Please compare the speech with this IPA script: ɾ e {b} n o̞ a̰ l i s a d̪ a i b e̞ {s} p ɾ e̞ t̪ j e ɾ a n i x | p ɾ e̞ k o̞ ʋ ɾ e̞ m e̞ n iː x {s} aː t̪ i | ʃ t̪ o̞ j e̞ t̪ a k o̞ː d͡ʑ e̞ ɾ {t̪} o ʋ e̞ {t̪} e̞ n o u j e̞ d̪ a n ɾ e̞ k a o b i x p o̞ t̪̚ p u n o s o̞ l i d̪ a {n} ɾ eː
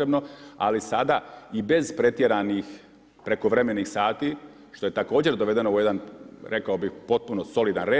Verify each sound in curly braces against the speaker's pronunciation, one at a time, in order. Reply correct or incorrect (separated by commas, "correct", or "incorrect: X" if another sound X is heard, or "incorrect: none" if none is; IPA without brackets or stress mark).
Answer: correct, incorrect: z, correct, incorrect: d̪, incorrect: d̪, correct